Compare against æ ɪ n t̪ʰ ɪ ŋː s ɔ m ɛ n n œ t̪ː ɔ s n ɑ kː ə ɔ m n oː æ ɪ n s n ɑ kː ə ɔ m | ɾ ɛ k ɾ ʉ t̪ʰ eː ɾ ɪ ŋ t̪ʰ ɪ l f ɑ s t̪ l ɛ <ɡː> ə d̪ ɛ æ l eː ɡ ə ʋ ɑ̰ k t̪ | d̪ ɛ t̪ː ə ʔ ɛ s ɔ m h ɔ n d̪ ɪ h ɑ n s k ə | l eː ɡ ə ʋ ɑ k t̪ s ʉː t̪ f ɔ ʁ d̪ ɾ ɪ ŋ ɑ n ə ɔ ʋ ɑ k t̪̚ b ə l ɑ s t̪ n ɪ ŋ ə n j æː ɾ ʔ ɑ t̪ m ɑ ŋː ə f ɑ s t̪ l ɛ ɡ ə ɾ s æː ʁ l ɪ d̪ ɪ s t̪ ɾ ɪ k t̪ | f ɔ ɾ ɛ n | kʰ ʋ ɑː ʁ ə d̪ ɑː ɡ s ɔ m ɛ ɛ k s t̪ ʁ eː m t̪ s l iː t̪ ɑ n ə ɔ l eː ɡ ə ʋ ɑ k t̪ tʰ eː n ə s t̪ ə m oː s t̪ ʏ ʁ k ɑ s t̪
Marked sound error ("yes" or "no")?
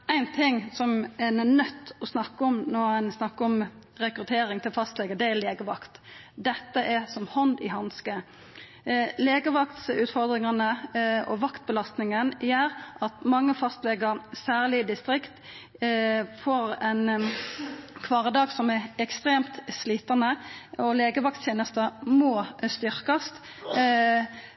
yes